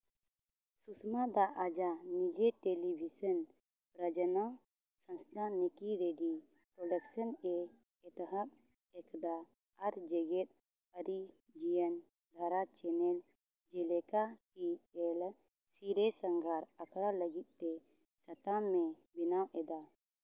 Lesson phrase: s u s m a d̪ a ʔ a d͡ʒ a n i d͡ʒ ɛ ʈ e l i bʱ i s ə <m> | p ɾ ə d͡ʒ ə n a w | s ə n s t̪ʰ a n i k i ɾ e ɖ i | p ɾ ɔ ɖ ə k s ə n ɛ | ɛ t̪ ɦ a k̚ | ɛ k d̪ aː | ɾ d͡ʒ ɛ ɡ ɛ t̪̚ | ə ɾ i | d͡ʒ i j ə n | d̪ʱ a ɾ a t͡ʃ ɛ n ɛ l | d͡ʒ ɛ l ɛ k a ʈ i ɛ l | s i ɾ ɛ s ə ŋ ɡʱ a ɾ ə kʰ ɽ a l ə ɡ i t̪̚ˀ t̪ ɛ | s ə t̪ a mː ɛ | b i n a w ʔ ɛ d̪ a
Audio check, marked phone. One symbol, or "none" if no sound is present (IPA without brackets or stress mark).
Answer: n